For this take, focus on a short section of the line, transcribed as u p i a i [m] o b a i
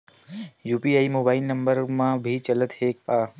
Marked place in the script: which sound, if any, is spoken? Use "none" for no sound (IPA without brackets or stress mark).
m